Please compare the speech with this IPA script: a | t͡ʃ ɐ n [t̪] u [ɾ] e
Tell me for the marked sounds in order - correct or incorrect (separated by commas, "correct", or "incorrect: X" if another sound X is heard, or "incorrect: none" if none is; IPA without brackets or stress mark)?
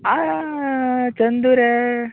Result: incorrect: d̪, correct